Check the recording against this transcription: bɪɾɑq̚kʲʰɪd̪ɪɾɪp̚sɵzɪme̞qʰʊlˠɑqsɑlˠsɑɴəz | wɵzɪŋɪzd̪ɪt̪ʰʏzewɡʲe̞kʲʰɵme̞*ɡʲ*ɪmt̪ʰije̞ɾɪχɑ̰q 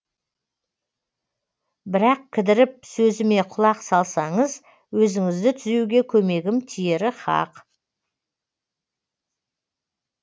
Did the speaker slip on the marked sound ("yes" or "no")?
no